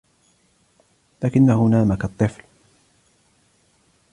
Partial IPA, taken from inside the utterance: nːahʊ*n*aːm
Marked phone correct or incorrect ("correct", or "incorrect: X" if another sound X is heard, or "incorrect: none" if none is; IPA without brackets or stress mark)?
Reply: correct